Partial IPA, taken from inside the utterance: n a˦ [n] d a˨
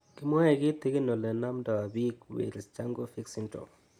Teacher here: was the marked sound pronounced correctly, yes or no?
no